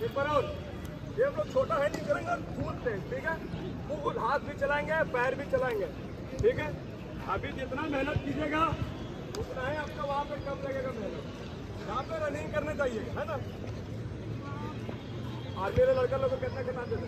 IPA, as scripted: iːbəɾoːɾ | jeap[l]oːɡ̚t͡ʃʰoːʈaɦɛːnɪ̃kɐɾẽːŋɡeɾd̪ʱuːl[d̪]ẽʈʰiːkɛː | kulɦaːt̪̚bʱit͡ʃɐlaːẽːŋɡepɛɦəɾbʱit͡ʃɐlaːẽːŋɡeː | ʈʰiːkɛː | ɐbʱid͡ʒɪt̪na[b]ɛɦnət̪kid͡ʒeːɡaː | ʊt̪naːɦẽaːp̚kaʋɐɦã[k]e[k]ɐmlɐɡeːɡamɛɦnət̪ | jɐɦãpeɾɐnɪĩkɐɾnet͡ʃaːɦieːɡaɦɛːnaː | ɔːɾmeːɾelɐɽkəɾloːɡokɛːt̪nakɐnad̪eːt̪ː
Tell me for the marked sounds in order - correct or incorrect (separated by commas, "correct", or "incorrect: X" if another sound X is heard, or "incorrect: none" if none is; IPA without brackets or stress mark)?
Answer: correct, incorrect: t̪, incorrect: m, incorrect: p, correct